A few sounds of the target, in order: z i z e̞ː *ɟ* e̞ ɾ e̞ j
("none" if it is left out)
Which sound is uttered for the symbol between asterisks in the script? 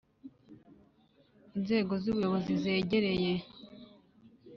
ɟ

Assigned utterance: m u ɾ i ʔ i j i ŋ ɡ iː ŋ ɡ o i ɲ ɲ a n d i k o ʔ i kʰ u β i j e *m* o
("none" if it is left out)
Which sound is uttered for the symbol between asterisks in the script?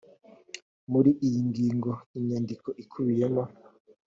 m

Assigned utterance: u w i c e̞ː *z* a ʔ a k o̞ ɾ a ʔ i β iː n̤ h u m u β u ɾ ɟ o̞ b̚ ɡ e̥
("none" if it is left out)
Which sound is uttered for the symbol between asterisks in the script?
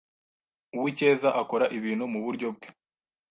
z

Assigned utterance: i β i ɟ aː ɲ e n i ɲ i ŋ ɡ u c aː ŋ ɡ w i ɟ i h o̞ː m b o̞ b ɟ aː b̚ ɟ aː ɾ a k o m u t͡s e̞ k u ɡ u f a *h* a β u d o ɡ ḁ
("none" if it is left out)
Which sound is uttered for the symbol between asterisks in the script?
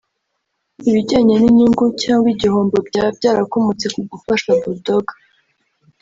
ʃ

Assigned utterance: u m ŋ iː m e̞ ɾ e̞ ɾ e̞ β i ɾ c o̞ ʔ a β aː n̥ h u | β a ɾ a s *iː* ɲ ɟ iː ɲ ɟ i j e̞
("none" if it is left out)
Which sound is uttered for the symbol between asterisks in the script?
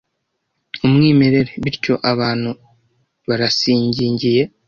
iː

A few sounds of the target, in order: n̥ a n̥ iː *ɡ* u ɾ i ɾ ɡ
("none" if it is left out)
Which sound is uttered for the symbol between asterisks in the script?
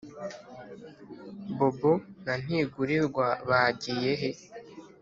ɡ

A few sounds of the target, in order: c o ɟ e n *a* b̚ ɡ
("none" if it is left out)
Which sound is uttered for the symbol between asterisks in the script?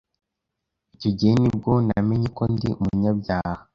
i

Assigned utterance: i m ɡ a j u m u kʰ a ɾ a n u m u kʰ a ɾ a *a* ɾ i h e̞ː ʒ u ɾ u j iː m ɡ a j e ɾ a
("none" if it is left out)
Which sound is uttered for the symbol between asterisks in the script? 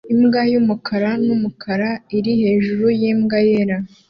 i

